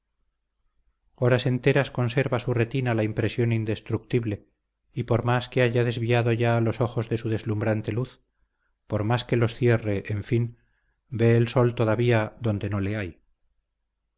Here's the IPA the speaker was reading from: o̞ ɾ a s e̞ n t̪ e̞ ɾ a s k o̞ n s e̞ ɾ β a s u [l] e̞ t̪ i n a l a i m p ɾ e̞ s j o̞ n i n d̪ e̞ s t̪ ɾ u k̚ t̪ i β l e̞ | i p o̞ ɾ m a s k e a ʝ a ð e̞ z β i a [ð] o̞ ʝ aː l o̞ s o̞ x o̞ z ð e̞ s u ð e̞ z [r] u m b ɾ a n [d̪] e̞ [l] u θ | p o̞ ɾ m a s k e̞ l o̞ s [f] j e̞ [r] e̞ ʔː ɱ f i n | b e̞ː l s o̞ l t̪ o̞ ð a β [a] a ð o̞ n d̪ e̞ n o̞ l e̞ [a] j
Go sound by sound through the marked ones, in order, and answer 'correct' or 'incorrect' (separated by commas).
incorrect, correct, incorrect, incorrect, correct, incorrect, correct, incorrect, correct